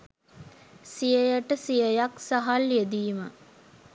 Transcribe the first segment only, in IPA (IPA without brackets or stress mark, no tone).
s